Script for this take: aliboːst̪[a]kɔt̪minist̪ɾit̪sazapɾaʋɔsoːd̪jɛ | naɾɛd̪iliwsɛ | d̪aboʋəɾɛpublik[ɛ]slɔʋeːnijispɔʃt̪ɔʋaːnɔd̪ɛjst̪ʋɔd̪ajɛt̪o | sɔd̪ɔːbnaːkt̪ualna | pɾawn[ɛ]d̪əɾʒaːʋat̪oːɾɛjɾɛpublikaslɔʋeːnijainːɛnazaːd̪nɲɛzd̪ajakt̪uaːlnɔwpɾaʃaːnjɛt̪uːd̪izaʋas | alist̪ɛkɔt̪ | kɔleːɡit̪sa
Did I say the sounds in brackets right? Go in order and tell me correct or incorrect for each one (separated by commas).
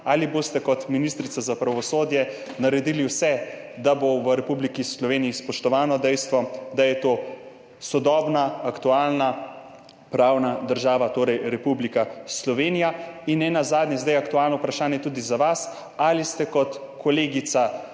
incorrect, incorrect, incorrect